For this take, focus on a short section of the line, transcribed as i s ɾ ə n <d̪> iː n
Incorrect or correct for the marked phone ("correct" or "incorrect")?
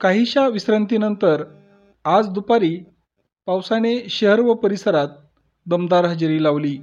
incorrect